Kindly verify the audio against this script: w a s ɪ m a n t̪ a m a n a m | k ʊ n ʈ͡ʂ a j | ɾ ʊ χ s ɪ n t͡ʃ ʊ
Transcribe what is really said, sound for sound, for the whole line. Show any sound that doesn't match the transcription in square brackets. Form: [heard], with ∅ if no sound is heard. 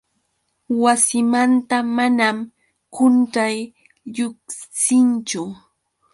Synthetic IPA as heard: w a s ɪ m a n t̪ a m a n a m | k ʊ n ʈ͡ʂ a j | [ʎ] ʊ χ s ɪ n t͡ʃ ʊ